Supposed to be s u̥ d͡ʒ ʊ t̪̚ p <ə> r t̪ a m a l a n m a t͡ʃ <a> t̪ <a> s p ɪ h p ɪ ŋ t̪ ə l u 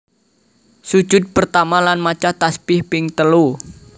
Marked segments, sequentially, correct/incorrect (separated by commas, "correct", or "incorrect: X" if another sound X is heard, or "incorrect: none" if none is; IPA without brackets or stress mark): correct, correct, correct